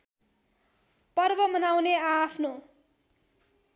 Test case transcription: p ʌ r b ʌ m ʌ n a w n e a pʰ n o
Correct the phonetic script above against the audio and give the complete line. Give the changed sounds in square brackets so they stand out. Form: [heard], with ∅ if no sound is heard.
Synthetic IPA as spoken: p ʌ r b ʌ m ʌ n a w n e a pʰ n o